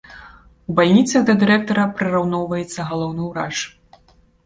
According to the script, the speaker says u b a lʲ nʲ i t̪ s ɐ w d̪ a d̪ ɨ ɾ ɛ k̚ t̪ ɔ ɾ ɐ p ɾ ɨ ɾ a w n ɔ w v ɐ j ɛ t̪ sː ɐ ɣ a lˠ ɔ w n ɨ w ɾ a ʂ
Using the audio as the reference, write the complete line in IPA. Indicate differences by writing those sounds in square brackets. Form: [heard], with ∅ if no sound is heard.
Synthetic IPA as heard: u b a lʲ nʲ i t̪ s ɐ [ɣ] d̪ [ɐ] d̪ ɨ ɾ ɛ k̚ t̪ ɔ ɾ ɐ p ɾ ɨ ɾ a w n ɔ w v ɐ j ɛ t̪ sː ɐ ɣ a lˠ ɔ w n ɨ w ɾ a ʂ